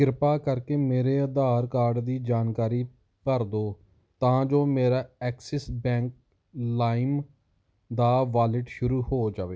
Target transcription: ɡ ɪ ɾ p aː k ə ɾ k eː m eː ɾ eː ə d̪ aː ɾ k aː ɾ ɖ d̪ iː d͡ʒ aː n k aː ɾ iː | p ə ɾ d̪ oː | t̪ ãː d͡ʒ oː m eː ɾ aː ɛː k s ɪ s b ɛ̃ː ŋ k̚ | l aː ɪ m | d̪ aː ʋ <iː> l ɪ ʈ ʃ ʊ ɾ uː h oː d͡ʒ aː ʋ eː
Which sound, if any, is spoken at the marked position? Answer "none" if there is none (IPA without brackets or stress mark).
aː